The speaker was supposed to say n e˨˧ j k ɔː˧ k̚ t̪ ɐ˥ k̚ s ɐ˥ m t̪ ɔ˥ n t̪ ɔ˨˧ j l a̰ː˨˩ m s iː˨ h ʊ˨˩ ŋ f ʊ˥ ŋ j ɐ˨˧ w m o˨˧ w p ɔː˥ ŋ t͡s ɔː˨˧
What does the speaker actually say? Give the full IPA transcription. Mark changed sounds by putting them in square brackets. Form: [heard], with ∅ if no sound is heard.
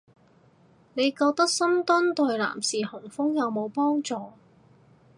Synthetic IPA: n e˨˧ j k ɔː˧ k̚ t̪ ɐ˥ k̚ s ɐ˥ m t̪ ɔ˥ n t̪ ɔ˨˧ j l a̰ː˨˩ m s iː˨ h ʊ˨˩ ŋ f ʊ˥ ŋ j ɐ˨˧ w m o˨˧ w p ɔː˥ ŋ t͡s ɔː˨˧